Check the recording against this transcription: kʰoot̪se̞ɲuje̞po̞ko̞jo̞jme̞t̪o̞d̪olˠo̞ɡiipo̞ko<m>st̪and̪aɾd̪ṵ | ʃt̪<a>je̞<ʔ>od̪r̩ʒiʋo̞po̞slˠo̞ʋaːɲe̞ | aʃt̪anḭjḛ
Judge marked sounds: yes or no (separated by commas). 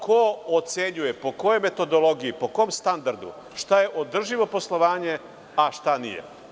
yes, yes, yes